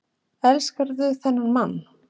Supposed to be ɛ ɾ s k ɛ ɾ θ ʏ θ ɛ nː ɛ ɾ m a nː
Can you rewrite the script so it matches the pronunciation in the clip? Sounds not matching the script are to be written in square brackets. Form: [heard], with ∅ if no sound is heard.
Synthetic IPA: ɛ [l] s k [a] ɾ [ð] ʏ θ ɛ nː [a] ɾ m a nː